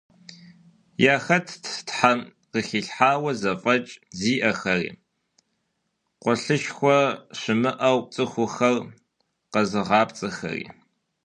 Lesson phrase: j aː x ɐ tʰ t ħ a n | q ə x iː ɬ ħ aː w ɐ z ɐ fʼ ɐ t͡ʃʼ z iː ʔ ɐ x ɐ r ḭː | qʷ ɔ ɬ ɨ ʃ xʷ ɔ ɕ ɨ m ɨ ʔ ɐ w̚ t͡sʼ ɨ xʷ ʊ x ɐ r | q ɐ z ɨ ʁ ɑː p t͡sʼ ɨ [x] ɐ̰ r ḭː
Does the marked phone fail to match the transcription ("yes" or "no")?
no